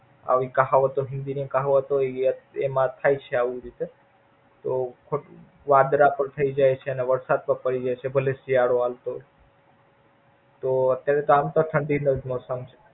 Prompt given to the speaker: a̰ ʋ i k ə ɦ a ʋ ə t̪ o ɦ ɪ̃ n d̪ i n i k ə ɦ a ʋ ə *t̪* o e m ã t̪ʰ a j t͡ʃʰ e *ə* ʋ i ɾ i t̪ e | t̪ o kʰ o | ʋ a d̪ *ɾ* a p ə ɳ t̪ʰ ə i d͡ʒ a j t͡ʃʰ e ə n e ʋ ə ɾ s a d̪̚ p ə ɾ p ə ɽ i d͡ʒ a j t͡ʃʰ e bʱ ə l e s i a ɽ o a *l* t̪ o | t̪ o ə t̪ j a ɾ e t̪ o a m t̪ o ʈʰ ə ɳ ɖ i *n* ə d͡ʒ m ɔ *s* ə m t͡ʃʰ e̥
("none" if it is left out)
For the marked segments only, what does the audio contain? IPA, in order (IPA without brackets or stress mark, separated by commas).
t̪, a, ɾ, l, n, s